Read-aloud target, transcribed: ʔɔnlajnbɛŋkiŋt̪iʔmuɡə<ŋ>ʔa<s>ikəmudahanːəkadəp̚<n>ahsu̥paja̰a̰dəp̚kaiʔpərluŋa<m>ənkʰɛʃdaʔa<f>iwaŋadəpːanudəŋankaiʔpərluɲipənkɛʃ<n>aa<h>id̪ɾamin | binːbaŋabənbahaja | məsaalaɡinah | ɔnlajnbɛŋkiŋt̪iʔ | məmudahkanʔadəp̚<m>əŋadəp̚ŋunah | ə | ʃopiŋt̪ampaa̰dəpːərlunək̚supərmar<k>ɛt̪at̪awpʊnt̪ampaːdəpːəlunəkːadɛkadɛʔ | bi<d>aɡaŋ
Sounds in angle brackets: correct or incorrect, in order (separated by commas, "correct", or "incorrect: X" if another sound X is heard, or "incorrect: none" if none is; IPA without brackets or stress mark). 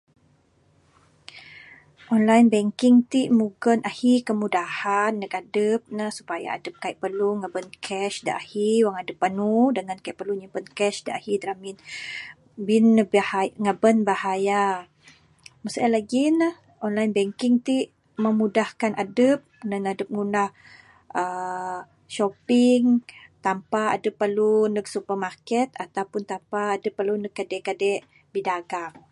incorrect: n, incorrect: h, correct, incorrect: b, incorrect: h, incorrect: d, correct, incorrect: n, correct, correct